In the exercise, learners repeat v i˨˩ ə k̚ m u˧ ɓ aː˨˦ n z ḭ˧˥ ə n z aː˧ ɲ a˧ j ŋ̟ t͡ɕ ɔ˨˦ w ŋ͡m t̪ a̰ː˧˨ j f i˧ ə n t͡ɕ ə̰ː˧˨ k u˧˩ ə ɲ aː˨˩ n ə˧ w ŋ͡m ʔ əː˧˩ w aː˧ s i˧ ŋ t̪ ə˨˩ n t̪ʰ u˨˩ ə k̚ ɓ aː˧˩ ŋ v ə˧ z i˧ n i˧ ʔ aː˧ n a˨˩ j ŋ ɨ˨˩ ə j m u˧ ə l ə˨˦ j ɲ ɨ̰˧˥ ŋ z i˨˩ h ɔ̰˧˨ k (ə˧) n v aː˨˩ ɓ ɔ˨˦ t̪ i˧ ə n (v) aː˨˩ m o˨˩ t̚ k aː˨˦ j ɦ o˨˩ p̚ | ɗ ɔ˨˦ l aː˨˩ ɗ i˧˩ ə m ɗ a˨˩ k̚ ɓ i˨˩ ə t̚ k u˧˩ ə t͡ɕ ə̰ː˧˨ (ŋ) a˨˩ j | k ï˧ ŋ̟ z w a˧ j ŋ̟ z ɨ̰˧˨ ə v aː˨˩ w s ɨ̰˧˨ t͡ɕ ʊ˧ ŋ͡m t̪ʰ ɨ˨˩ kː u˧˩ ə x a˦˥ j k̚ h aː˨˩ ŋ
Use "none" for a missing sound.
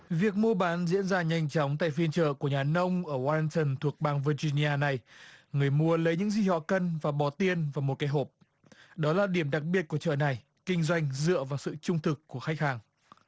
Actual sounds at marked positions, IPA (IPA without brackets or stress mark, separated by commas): ə˧, v, n